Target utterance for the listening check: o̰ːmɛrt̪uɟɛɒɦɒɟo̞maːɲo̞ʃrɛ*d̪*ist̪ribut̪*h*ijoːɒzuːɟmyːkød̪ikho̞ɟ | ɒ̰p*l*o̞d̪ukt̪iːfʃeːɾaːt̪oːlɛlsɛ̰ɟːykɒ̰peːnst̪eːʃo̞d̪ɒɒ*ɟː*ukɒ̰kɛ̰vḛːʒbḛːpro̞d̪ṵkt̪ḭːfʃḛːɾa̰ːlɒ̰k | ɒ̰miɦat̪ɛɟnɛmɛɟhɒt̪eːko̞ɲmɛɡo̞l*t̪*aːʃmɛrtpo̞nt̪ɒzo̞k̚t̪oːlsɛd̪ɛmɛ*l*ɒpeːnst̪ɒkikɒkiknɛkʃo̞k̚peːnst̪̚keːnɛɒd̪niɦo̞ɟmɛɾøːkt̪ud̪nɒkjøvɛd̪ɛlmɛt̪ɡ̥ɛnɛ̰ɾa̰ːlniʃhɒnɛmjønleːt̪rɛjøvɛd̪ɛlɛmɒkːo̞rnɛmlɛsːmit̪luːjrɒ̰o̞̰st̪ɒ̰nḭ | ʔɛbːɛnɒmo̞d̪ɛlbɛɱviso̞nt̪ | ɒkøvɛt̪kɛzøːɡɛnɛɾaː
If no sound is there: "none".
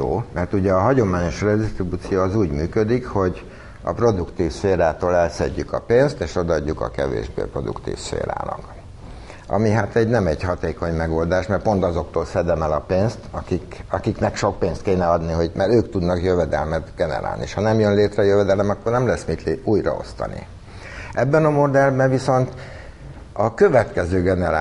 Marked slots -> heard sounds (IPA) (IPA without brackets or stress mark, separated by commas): d̪, s, r, ɟː, d̪, l